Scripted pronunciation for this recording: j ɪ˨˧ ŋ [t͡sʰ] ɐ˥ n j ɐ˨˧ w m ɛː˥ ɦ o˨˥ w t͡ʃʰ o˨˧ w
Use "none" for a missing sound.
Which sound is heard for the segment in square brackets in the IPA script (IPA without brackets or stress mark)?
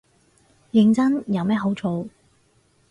t͡s